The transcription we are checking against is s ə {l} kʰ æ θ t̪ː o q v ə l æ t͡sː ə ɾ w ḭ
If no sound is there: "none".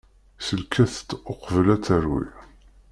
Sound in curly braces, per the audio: l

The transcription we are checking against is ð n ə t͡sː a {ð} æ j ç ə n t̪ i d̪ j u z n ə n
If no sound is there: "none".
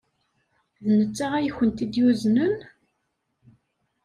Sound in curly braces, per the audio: ʁ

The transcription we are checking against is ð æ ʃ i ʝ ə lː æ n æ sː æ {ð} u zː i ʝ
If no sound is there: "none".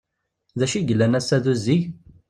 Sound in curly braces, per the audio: ð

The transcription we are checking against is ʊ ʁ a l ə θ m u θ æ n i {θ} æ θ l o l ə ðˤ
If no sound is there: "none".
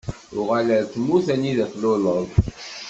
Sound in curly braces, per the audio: ð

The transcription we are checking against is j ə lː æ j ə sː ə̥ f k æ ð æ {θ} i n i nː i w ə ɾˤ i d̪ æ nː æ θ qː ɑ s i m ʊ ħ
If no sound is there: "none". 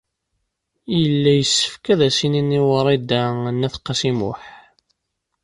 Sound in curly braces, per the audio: s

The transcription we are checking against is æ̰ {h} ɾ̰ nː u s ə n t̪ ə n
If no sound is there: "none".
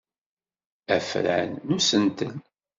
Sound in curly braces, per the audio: f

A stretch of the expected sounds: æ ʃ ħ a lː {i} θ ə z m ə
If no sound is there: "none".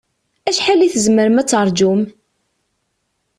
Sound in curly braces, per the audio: i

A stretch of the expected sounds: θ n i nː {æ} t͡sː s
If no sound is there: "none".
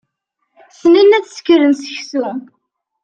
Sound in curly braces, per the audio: æ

